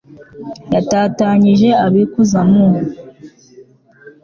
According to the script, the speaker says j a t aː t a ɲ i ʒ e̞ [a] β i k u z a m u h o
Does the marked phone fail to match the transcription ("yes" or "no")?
no